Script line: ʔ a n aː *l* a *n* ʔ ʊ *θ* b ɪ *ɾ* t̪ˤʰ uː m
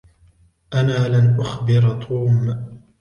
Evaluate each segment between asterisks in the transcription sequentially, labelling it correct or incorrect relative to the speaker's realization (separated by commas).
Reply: correct, correct, incorrect, correct